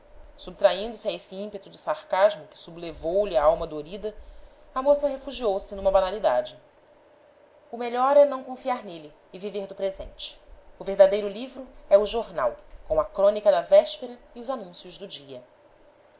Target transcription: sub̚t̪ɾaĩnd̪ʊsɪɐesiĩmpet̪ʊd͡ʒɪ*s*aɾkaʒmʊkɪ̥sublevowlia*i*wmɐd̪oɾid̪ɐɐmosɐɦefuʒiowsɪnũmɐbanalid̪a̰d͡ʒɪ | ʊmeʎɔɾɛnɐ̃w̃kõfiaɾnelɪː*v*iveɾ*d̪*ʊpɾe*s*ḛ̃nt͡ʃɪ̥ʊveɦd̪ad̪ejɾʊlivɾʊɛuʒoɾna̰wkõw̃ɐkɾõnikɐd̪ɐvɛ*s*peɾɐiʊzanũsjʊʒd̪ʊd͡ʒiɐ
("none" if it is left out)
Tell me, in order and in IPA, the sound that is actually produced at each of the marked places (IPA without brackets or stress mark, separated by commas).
s, a, v, d̪, z, ʃ